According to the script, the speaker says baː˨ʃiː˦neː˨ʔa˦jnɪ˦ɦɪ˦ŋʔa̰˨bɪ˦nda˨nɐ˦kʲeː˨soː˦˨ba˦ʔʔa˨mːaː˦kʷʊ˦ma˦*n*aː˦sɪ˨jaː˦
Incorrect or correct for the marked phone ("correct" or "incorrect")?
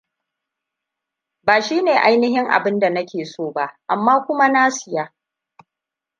correct